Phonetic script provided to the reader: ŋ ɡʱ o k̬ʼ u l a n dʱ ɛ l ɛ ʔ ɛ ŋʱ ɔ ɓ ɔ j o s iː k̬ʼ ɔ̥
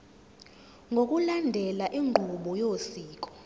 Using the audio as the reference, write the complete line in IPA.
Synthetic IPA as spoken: ŋ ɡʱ o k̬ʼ u l a n dʱ ɛ l a ʔ i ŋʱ u ɓ ɔ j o s iː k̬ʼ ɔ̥